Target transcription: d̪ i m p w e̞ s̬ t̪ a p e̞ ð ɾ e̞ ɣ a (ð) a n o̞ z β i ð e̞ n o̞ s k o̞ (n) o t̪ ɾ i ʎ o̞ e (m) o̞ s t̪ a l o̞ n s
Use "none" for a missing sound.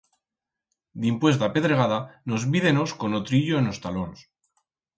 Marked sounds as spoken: ð, n, n

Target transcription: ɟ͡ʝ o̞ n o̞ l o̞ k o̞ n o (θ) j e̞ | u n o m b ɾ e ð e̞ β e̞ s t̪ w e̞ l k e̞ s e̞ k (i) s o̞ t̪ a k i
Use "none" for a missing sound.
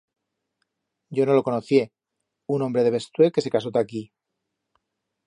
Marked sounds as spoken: θ, a

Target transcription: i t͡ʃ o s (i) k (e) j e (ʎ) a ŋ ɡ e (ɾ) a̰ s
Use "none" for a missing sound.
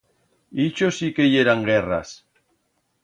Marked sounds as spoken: i, e, ɾ, r

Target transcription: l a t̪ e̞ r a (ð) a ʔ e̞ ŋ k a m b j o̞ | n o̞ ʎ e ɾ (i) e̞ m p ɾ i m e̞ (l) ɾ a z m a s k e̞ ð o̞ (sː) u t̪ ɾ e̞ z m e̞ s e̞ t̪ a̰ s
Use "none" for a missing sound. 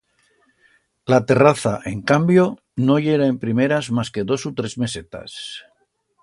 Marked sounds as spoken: θ, a, none, s

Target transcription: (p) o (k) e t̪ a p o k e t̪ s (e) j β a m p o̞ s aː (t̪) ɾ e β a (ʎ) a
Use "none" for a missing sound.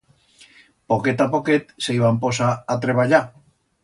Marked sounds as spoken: p, k, e, t̪, ʎ

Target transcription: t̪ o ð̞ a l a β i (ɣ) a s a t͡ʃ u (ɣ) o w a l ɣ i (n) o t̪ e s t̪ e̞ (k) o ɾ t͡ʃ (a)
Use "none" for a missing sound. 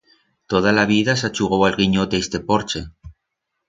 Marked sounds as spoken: ð, ɣ, ɲ, p, e

